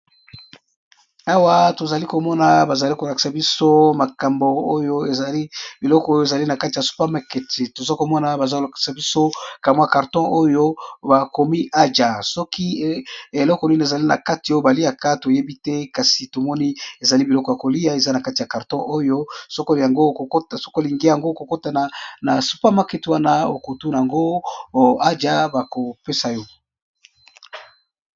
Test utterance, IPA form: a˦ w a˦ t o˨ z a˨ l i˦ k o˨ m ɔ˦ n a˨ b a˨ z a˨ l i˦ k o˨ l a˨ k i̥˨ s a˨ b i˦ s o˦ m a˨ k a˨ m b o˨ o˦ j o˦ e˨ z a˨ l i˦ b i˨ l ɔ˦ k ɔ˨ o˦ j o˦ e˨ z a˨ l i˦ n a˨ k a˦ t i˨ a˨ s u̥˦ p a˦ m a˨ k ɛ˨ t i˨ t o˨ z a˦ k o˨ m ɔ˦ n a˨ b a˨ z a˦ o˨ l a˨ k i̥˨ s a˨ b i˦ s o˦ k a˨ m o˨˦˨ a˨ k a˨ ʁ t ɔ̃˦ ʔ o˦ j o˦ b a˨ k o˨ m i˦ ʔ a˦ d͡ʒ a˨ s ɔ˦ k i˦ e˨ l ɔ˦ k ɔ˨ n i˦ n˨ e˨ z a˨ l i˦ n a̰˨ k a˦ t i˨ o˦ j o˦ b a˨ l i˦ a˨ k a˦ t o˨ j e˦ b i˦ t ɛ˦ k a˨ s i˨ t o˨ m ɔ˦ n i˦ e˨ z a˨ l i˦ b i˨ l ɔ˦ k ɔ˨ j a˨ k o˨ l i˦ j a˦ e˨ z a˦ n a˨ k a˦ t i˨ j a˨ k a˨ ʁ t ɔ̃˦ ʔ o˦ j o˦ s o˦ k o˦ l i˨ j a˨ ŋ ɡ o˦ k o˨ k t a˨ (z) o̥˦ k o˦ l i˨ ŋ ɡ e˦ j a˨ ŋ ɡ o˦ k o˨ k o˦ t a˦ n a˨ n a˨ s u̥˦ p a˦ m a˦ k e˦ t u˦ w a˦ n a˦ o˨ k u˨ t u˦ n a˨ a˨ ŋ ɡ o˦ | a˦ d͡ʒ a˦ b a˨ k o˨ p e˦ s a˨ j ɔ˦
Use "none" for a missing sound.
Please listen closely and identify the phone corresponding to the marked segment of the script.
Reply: s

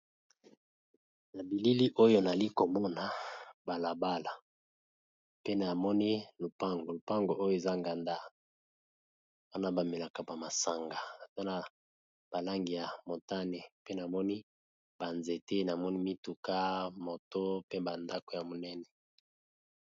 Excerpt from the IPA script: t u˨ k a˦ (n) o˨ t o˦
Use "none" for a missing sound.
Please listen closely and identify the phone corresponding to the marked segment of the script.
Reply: m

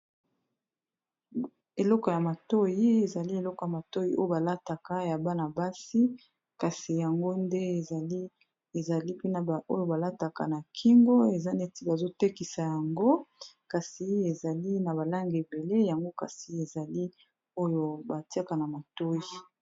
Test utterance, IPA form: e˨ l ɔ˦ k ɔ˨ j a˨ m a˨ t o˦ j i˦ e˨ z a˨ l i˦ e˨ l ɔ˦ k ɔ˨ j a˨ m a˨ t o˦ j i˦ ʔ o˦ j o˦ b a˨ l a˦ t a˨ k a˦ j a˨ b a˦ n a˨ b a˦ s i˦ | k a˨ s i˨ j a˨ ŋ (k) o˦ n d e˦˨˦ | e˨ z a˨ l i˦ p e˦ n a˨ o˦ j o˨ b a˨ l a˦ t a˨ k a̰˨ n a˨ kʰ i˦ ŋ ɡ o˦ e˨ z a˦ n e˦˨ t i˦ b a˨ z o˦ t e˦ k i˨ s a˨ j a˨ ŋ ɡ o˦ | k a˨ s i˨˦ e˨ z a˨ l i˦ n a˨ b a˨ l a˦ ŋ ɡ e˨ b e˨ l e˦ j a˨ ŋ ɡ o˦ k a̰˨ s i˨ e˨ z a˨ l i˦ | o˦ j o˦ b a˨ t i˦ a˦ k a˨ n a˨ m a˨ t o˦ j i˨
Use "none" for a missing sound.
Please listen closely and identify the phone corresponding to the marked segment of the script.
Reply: ɡ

